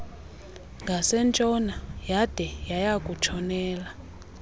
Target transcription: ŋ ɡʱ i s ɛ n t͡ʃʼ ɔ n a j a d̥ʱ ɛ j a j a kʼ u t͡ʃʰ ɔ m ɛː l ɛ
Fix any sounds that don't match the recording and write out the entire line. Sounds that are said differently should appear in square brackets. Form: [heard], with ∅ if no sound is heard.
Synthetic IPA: ŋ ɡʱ [a] s ɛ n t͡ʃʼ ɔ n a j a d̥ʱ ɛ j a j a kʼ u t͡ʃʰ ɔ [n] ɛː l [a]